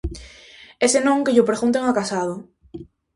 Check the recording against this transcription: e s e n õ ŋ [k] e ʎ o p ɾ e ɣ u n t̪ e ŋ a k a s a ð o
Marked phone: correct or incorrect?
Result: correct